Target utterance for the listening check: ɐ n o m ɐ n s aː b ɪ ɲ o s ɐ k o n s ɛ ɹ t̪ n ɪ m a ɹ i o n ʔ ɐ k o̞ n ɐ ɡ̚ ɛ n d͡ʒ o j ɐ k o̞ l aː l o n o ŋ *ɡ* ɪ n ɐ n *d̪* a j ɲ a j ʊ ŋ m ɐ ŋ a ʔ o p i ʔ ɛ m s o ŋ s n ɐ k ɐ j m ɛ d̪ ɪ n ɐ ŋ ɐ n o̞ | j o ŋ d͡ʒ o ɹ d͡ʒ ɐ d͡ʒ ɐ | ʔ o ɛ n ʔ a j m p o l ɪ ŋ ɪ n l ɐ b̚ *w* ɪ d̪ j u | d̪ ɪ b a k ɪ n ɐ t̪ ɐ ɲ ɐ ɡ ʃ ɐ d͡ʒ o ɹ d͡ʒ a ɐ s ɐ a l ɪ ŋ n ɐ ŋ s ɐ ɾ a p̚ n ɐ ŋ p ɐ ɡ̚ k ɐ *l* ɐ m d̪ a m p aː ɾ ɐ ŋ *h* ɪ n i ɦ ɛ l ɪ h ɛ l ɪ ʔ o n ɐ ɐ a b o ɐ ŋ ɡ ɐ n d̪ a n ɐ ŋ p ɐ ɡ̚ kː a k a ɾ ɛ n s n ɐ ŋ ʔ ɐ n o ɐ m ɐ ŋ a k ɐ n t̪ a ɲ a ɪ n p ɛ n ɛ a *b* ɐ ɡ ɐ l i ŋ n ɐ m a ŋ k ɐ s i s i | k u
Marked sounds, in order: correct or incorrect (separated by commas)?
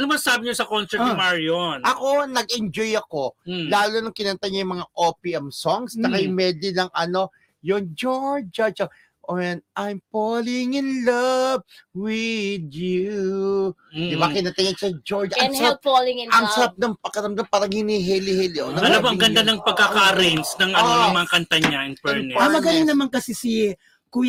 incorrect, incorrect, correct, incorrect, correct, incorrect